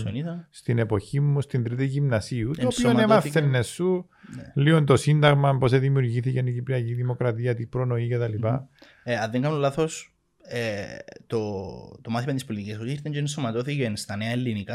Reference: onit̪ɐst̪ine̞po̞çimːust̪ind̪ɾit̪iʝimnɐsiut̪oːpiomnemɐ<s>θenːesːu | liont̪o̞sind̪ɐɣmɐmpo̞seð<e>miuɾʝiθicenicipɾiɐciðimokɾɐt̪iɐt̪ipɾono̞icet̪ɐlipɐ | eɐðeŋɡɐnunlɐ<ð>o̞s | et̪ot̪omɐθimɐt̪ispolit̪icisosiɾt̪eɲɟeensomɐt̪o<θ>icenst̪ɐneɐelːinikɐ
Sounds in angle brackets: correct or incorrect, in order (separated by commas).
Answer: incorrect, incorrect, incorrect, correct